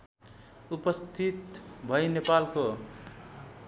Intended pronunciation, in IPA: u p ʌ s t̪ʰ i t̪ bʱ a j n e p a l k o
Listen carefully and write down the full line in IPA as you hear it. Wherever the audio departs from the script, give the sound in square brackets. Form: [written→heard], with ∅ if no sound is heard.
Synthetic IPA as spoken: u p ʌ s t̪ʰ i t̪ bʱ [a→ʌ] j n e p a l k o